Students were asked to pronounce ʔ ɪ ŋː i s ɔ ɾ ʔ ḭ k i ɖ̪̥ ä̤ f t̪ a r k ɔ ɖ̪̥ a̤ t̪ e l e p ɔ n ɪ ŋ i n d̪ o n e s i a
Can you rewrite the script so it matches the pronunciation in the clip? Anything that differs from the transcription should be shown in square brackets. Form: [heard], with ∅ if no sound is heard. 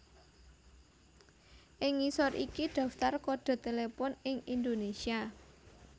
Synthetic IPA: ʔ ɪ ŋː i s ɔ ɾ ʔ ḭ k i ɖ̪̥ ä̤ f t̪ a r k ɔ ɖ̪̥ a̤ t̪ e l e p ɔ n ɪ ŋ i n d̪ o n e s i a